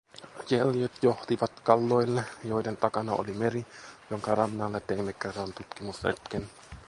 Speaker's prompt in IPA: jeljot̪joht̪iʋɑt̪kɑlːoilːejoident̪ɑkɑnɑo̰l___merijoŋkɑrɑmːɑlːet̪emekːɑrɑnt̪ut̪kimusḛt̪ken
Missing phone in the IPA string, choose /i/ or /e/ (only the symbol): i